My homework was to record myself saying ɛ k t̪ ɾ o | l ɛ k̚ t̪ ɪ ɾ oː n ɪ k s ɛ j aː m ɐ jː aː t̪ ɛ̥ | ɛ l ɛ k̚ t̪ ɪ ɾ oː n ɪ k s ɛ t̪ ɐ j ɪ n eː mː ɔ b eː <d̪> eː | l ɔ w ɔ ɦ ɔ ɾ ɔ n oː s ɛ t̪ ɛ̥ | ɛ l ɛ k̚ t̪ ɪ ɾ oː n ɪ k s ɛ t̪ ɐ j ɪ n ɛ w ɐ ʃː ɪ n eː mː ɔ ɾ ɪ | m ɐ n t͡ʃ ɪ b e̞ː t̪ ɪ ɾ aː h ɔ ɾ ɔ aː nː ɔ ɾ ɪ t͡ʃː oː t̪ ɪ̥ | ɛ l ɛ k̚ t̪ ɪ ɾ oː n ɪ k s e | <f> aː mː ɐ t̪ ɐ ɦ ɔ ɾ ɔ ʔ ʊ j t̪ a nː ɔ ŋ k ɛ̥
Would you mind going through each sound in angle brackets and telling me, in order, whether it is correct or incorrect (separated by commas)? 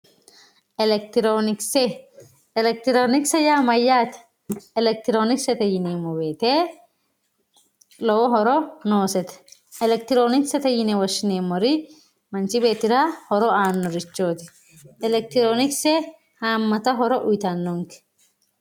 incorrect, incorrect